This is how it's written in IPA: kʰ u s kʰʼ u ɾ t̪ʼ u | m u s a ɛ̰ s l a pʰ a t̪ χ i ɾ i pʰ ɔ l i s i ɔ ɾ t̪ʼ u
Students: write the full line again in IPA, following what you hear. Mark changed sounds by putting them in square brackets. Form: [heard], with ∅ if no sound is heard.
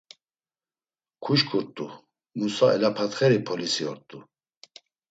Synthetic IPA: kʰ u [ʃ] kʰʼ u ɾ t̪ʼ u | m u s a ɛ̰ [∅] l a pʰ a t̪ χ [ɛ] ɾ i pʰ ɔ l i s i ɔ ɾ t̪ʼ u